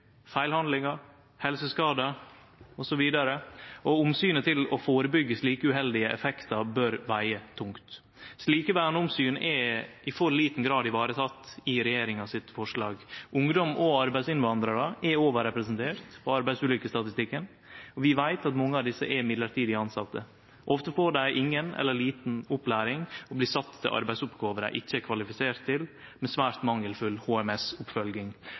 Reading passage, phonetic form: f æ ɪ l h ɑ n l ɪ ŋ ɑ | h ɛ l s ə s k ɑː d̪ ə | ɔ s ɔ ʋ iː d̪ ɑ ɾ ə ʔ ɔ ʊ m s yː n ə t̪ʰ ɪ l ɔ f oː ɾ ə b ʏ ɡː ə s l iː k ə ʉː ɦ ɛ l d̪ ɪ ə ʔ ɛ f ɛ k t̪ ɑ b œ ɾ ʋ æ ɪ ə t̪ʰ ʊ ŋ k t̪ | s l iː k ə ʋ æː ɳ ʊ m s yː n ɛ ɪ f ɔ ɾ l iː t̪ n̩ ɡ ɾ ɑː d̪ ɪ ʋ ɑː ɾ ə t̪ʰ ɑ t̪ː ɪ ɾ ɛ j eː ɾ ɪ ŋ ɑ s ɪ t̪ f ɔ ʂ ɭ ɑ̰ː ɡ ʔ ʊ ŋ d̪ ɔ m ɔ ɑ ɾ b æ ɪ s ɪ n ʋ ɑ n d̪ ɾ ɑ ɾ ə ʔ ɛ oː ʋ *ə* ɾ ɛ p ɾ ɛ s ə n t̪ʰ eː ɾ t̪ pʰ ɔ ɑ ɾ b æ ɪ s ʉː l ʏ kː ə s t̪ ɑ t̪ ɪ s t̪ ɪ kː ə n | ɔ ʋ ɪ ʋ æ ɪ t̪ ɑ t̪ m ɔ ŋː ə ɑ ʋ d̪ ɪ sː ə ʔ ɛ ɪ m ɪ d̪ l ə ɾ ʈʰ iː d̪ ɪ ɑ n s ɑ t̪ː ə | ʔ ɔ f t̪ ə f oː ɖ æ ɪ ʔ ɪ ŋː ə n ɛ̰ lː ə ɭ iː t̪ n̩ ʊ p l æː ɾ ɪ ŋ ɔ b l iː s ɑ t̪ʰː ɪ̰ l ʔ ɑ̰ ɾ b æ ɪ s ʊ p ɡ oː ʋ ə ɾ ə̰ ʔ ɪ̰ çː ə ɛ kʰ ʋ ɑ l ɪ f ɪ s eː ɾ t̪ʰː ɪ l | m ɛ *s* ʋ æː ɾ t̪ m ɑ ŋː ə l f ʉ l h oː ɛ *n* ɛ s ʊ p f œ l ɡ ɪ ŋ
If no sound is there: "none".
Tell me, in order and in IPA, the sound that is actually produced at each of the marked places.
ə, s, m

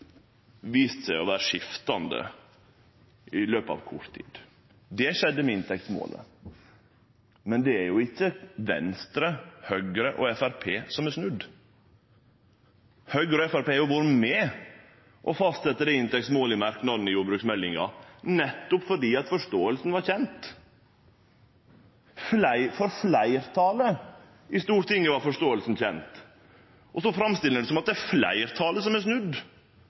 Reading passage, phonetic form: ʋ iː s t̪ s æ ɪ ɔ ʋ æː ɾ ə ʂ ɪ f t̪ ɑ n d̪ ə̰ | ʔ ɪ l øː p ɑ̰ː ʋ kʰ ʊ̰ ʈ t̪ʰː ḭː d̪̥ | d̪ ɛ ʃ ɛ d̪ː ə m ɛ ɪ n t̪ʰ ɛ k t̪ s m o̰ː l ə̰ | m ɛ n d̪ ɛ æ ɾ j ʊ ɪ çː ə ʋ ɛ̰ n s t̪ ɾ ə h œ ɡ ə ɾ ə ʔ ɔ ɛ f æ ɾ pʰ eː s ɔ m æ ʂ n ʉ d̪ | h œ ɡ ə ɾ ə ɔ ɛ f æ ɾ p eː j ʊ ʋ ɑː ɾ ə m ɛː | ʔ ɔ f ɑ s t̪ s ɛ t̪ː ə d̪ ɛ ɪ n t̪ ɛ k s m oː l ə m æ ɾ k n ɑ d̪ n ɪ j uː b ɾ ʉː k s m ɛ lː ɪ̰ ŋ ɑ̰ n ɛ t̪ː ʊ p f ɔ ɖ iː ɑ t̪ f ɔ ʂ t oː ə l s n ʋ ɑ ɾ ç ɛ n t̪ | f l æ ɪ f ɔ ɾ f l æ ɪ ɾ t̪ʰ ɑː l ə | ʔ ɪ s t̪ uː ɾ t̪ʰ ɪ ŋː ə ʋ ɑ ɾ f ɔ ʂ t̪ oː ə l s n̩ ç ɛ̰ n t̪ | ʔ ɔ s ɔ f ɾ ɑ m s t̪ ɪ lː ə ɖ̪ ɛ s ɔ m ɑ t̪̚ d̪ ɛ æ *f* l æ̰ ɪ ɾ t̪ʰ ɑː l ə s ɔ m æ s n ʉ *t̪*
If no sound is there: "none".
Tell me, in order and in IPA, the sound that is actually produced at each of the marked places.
f, d̪

